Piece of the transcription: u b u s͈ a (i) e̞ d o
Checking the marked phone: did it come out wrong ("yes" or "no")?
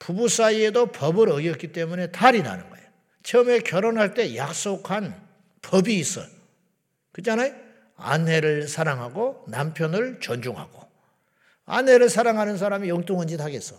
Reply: no